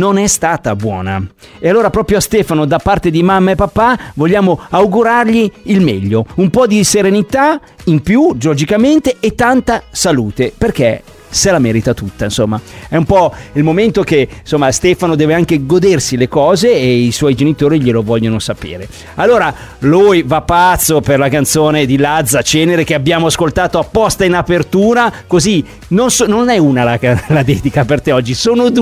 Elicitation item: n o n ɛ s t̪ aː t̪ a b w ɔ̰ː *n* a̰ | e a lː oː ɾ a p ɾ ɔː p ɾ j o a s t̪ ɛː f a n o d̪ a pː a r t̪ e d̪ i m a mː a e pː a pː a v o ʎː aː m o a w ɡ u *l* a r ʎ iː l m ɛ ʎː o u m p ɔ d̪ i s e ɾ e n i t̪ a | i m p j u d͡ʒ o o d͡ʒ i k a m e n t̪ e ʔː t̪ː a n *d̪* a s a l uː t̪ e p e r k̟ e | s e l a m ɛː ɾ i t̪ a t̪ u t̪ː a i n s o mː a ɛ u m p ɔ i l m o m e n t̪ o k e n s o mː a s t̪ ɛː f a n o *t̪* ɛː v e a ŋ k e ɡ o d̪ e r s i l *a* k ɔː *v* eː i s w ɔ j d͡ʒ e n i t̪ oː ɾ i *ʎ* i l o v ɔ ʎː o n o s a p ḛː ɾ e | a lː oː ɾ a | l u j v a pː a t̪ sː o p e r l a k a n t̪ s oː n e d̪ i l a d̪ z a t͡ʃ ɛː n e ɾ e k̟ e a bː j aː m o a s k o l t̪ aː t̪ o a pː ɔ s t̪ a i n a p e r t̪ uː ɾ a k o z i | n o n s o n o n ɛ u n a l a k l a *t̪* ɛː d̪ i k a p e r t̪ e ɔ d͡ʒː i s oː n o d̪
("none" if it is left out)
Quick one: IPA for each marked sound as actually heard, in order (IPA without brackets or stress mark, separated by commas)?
n, ɾ, t̪, d̪, e, z, ʎ, d̪